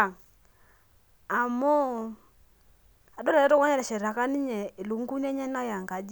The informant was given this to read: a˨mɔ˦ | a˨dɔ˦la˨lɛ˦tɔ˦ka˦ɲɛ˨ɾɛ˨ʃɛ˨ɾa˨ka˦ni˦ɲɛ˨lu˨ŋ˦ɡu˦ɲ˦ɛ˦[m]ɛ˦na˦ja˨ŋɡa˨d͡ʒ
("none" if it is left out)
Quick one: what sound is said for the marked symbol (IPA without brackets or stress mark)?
ɲ